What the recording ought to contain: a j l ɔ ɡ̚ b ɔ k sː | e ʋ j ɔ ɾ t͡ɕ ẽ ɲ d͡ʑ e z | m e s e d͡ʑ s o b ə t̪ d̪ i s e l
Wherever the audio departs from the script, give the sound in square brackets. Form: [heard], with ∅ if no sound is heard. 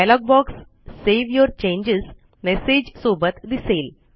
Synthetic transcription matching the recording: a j l ɔ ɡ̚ b ɔ k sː | e ʋ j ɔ ɾ t͡ɕ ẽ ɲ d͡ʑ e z | m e s e d͡ʑ s o b ə t̪ d̪ i s e l